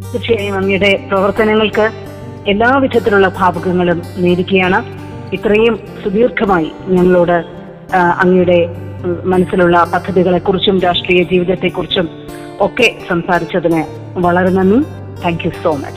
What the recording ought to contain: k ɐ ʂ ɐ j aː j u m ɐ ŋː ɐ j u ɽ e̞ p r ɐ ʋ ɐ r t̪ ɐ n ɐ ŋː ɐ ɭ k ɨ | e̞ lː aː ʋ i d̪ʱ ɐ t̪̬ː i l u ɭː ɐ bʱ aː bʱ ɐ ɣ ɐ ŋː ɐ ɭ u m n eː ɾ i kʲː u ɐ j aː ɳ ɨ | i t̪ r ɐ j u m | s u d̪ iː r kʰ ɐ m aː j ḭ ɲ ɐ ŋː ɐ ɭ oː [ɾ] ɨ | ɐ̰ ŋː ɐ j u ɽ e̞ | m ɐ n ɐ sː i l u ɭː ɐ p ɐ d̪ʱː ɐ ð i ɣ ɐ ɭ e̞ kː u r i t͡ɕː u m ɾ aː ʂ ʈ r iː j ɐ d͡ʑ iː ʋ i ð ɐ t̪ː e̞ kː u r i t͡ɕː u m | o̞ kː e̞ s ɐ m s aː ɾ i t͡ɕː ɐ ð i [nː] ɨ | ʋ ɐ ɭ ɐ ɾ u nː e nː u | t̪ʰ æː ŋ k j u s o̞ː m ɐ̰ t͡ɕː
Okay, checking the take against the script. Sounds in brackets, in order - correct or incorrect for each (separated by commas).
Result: incorrect, incorrect